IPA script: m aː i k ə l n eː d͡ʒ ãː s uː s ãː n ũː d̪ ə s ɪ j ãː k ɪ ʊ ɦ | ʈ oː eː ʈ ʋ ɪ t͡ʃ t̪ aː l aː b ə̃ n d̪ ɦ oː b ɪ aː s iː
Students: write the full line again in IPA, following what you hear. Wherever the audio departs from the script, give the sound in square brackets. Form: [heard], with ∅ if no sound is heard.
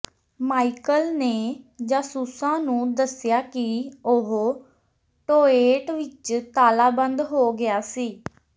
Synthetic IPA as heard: m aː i k ə l n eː d͡ʒ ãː s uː s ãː n ũː d̪ ə s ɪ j [aː] k ɪ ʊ ɦ | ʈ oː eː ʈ ʋ ɪ t͡ʃ t̪ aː l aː b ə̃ n d̪ ɦ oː [ɡ] ɪ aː s iː